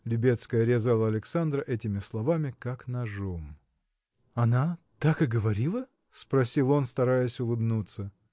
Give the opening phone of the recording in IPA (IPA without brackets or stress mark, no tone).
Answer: lʲ